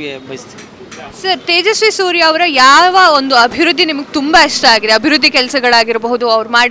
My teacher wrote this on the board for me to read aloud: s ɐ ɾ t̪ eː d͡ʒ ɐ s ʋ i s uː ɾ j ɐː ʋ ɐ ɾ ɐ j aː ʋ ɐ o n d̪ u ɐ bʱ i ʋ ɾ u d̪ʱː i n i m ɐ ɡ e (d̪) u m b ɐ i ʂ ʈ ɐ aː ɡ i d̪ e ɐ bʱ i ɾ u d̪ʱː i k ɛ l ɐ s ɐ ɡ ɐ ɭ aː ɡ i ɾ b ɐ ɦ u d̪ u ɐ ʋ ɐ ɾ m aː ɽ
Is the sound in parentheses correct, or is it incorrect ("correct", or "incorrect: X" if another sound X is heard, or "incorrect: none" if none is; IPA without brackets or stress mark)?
incorrect: t̪